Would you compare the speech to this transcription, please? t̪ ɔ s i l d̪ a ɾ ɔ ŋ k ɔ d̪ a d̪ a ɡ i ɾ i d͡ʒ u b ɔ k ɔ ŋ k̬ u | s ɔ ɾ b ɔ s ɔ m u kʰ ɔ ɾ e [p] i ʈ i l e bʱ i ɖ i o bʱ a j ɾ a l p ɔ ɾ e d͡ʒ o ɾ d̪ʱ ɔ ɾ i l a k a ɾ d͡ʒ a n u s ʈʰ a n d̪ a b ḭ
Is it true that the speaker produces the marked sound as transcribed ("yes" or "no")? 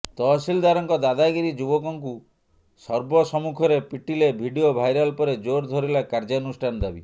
yes